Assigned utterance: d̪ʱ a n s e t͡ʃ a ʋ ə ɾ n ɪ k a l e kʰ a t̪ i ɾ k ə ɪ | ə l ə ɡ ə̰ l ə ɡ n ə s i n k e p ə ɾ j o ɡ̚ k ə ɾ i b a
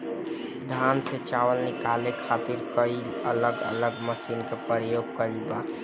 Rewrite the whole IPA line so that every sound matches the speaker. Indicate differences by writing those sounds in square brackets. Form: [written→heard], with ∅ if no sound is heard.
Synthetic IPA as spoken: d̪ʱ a n s e t͡ʃ a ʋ ə [ɾ→l] n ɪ k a l e kʰ a t̪ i ɾ k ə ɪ | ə l ə ɡ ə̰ l ə ɡ [n→m] ə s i n k e p ə ɾ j o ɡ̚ k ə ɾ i b a